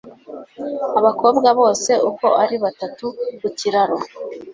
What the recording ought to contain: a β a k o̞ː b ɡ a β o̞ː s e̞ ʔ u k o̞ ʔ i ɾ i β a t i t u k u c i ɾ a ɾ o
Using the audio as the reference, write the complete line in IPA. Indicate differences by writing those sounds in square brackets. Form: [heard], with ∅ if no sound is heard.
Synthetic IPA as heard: a β a k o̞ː b ɡ a β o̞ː s e̞ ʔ u k o̞ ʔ [a] ɾ i β a t [a] t u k u c i ɾ a ɾ o